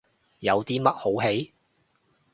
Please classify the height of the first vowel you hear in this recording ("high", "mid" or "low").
low